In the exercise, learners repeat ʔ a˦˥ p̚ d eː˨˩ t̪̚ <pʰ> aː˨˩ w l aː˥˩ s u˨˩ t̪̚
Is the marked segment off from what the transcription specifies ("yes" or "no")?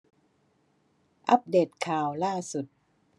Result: yes